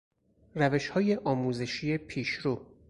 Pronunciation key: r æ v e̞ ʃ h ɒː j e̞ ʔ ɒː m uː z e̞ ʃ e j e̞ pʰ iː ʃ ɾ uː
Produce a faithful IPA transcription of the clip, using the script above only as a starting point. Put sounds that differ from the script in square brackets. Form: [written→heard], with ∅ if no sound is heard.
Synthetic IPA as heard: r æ v e̞ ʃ h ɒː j e̞ ʔ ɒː m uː z e̞ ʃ [e→i] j e̞ pʰ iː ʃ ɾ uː